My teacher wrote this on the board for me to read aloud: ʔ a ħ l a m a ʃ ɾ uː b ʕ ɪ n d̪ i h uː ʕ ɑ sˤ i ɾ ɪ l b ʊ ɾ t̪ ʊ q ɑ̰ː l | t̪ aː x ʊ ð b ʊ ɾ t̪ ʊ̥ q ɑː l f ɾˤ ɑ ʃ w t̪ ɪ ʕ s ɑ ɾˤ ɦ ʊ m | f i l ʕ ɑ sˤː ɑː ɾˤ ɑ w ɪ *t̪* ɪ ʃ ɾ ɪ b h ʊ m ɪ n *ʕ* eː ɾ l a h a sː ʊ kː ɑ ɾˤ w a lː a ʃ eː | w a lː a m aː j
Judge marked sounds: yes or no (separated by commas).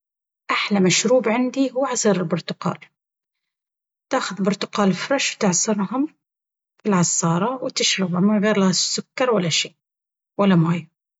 yes, no